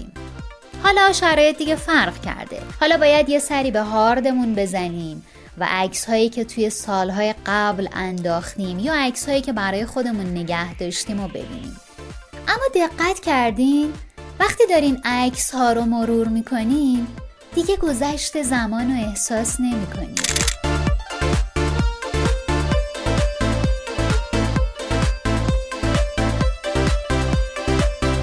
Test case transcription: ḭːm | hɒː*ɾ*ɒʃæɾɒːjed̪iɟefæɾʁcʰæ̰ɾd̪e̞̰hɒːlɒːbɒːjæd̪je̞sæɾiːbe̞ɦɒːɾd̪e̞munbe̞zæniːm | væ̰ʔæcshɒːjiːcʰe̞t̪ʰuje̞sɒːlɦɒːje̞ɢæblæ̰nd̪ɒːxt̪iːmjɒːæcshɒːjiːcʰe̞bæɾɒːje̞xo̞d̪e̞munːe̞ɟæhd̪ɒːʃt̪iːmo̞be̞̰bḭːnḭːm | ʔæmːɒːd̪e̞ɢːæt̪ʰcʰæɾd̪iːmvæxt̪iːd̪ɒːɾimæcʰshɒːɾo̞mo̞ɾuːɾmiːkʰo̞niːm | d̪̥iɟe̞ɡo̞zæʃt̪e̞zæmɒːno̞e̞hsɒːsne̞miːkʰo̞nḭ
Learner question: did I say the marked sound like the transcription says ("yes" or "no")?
no